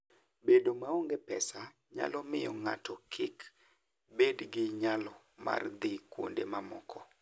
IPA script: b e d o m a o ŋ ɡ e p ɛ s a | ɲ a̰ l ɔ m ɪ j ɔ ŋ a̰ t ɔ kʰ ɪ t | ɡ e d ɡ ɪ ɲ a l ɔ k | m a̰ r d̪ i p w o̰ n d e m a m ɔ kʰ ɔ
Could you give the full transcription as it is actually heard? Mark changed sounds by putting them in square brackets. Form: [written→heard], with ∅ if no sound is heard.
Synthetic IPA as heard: b e d o m a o ŋ ɡ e p ɛ s a | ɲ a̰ l ɔ m ɪ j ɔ ŋ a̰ t ɔ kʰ ɪ [t→k] | [ɡ→b] e d ɡ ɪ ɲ a l ɔ [k→∅] | m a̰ r d̪ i [p→k] w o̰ n d e m a m ɔ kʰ ɔ

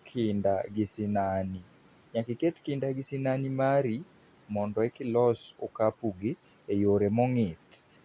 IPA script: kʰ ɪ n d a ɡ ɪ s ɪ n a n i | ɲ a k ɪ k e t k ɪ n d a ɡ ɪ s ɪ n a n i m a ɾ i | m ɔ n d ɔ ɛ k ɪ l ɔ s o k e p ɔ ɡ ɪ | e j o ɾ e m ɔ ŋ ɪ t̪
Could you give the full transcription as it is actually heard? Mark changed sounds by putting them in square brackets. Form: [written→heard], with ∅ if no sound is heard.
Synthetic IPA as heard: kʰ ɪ n d a ɡ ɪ s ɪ n a n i | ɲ a k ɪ k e t k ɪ n d a ɡ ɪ s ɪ n a n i m a ɾ i | m ɔ n d ɔ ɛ k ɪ l ɔ s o k [e→a] p [ɔ→u] ɡ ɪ | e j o ɾ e m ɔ ŋ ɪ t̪

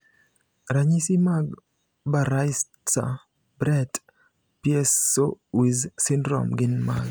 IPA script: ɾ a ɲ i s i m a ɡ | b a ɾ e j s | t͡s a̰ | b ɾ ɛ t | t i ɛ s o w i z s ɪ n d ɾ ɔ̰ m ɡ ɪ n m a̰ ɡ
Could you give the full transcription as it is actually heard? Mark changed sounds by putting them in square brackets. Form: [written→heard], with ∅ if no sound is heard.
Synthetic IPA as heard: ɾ a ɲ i s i m a ɡ | b a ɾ [e→a] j s | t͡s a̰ | b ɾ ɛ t | [t→p] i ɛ s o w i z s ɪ n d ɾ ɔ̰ m ɡ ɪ n m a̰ ɡ

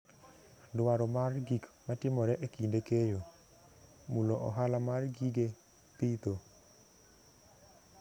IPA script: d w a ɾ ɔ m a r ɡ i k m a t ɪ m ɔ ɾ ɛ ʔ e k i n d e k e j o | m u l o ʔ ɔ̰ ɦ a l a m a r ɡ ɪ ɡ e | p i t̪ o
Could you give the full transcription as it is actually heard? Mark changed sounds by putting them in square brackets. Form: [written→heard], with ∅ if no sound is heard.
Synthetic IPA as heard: d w a ɾ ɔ m a r ɡ i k m a t ɪ m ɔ ɾ ɛ ʔ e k i n d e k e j o | m u l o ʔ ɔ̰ ɦ a l a m a r ɡ [ɪ→i] ɡ e | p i t̪ o

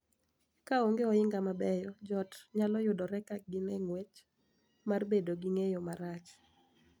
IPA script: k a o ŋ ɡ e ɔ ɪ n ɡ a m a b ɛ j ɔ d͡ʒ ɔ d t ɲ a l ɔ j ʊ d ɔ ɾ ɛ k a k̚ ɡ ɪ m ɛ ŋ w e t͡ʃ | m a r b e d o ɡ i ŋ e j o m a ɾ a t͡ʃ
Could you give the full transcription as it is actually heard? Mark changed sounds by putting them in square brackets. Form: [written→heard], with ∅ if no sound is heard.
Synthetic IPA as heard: k a o ŋ ɡ e ɔ ɪ [n→ŋ] ɡ a m a b ɛ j ɔ d͡ʒ ɔ [d→∅] t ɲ a l ɔ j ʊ d ɔ ɾ ɛ k a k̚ ɡ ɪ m ɛ ŋ w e t͡ʃ | m a r b e d o ɡ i ŋ e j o m a ɾ a t͡ʃ

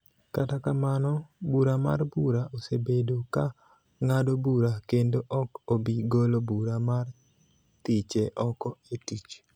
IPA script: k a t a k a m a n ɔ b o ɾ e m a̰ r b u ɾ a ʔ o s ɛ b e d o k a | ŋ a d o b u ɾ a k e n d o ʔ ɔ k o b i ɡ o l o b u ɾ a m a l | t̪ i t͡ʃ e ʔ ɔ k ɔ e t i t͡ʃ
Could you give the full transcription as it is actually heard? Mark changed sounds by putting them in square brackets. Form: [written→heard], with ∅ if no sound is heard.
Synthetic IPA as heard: k a t a k a m a n ɔ b [o→u] ɾ [e→a] m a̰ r b u ɾ a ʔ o s [ɛ→e] b e d o k a | ŋ a d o b u ɾ a k e n d o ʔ ɔ k o b i ɡ o l o b u ɾ a m a [l→r] | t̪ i t͡ʃ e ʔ ɔ k ɔ e t i t͡ʃ

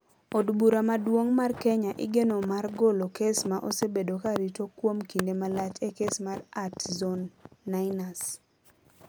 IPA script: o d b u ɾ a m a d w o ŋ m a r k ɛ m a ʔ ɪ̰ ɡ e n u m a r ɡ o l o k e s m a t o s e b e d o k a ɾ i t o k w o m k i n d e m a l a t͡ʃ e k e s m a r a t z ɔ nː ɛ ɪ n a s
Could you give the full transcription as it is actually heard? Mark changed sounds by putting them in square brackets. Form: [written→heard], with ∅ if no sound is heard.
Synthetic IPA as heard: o d b u ɾ a m a d w o ŋ m a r k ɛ [m→ɲ] a ʔ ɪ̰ ɡ e n [u→o] m a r ɡ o l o k e s m a [t→ʔ] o s e b e d o k a ɾ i t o k w o m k i n d e m a l a t͡ʃ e k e s m a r a t z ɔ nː [ɛ→a] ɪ n a s

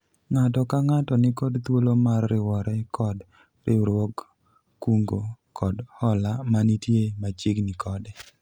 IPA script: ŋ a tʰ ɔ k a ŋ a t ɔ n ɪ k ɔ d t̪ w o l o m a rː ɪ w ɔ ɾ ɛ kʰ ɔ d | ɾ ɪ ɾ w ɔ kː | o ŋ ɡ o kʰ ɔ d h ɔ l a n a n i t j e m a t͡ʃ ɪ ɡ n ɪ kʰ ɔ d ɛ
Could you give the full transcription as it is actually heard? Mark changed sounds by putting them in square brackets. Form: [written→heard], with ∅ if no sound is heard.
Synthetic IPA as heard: ŋ a [tʰ→t] ɔ k a ŋ a t ɔ n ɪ k ɔ d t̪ w o l o m a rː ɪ w ɔ ɾ ɛ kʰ ɔ d | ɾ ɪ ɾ w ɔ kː | [o→u] ŋ ɡ o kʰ ɔ d h ɔ l a [n→m] a n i t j e m a t͡ʃ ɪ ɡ n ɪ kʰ ɔ d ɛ

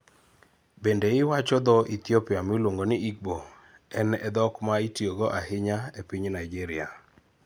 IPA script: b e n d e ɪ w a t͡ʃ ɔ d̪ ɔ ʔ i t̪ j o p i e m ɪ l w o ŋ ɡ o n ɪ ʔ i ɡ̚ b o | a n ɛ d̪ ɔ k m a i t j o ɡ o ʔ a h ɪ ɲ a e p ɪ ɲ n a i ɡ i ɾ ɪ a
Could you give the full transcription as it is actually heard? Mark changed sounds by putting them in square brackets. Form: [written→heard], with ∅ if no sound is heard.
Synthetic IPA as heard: b e n d e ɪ w a t͡ʃ ɔ d̪ ɔ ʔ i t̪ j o p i [e→a] m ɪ l w o ŋ ɡ o n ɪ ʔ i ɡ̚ b o | [a→ɛ] n ɛ d̪ ɔ k m a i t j o ɡ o ʔ a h ɪ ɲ a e p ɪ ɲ n a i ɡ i ɾ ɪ a

